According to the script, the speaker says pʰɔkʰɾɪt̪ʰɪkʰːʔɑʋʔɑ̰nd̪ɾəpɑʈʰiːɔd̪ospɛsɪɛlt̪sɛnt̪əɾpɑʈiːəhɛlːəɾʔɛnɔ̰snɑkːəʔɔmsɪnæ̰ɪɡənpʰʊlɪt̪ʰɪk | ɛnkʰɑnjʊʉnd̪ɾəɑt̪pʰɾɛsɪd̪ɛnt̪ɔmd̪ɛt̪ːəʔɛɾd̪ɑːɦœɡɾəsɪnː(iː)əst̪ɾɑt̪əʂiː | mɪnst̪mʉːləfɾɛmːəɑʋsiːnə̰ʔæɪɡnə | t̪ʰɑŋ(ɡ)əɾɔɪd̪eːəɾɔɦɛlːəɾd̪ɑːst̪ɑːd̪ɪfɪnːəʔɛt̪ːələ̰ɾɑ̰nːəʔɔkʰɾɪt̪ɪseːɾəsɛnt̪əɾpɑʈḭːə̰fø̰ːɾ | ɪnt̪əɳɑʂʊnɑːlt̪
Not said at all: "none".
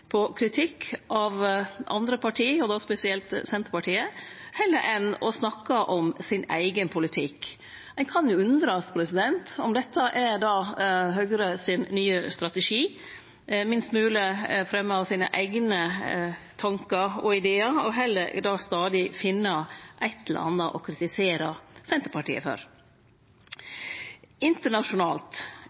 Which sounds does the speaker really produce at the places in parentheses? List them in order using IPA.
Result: yː, k

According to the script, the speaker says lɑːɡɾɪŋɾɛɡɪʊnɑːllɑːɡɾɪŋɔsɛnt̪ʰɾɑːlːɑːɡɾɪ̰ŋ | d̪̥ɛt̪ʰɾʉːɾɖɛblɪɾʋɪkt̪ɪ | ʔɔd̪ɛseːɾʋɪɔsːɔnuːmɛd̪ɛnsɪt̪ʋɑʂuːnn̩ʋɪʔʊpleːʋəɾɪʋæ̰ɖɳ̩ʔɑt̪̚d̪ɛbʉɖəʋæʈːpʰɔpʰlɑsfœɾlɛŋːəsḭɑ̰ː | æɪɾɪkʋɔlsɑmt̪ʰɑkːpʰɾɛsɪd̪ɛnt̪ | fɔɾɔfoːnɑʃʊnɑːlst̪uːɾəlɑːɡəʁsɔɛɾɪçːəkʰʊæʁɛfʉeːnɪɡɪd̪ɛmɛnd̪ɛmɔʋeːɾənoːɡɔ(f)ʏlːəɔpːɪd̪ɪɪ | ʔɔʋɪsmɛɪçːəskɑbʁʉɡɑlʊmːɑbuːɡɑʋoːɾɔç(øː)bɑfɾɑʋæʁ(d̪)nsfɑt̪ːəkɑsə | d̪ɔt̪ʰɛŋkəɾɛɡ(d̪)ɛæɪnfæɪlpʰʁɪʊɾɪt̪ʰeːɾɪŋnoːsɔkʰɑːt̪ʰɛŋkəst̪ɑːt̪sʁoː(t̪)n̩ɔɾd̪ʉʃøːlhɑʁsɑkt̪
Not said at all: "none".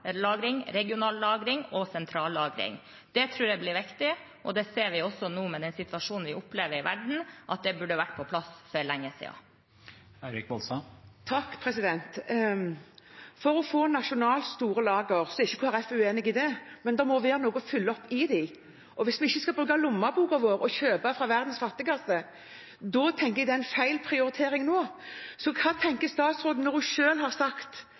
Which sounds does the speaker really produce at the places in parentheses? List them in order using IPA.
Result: f, øː, d̪, d̪, d̪

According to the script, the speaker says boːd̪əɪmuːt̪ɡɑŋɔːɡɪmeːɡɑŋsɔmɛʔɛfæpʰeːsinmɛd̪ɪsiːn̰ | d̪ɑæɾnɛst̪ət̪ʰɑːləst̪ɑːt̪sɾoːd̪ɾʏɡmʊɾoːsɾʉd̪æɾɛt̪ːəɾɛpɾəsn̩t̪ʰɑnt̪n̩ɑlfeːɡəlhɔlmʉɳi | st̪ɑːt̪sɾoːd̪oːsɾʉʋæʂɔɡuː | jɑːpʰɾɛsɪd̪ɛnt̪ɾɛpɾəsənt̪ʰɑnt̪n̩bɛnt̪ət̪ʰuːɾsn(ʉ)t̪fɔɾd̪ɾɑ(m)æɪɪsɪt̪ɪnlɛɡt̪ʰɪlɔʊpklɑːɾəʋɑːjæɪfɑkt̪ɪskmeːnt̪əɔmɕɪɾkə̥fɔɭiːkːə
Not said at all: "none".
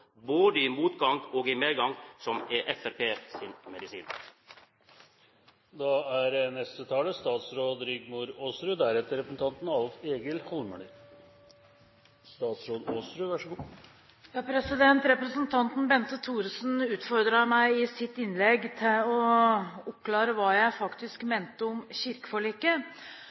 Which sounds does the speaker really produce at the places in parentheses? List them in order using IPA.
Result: ʉː, m

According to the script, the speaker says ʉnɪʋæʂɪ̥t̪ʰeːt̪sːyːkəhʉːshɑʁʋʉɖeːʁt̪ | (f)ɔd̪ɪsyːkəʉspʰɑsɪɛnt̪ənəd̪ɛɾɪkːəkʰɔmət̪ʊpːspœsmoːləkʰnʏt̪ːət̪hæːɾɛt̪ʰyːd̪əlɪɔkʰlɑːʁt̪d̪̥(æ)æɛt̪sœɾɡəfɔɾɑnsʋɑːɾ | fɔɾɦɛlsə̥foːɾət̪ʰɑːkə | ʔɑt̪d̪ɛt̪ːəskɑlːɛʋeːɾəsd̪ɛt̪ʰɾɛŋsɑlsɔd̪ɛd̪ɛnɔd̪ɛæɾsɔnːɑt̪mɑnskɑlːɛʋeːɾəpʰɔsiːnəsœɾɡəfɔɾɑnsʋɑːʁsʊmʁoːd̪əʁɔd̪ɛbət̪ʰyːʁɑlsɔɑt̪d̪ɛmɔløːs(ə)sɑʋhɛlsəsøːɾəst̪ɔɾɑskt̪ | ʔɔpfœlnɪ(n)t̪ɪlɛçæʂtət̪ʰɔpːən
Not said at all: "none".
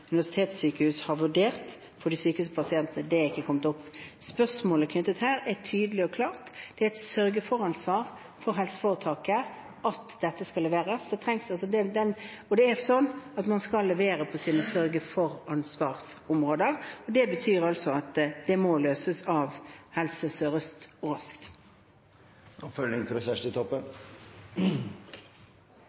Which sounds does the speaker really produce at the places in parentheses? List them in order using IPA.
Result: f, ɛ, ə, ŋ

